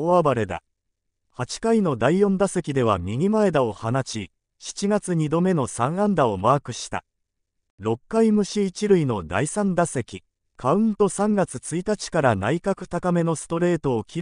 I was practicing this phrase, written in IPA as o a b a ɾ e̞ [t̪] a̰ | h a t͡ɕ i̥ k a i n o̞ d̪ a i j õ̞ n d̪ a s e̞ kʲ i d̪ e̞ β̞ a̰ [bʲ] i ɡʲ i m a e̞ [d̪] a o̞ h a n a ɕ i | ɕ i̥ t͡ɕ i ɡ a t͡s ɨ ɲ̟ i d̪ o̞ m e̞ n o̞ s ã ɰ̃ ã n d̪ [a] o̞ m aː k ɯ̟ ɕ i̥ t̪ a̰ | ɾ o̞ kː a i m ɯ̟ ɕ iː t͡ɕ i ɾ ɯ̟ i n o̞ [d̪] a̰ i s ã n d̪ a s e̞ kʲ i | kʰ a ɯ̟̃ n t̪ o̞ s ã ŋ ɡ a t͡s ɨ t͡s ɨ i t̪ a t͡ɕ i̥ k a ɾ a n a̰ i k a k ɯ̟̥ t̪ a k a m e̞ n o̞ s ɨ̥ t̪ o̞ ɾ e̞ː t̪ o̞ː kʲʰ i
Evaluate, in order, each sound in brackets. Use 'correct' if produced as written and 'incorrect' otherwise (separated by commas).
incorrect, incorrect, correct, correct, correct